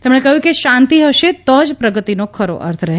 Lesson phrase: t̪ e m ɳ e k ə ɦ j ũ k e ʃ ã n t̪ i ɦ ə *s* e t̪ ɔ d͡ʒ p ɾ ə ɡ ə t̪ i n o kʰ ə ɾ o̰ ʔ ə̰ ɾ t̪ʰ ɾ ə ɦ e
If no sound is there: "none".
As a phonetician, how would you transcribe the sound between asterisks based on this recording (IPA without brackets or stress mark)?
ʃ